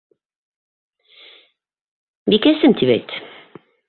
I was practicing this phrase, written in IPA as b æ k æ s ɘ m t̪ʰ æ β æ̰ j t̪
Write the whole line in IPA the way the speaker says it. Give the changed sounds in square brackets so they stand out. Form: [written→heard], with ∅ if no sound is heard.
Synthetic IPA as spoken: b [æ→i] k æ s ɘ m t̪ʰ [æ→i] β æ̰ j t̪